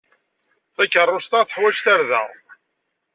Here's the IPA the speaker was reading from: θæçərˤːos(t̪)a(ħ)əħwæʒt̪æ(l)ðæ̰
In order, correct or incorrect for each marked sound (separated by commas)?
correct, incorrect, incorrect